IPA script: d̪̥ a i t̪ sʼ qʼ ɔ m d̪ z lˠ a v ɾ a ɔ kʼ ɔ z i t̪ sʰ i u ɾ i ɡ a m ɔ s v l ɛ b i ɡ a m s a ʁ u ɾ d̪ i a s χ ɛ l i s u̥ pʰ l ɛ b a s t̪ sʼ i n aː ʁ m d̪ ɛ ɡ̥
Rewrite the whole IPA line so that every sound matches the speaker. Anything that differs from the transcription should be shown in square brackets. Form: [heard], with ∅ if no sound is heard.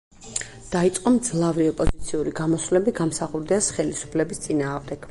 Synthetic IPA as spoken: d̪̥ a i t̪ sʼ qʼ ɔ m d̪ z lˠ a v ɾ [i] ɔ [pʼ] ɔ z i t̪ sʰ i u ɾ i ɡ a m ɔ s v l ɛ b i ɡ a m s a [χ] u ɾ d̪ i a s χ ɛ l i s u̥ pʰ l ɛ b [i] s t̪ sʼ i n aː ʁ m d̪ ɛ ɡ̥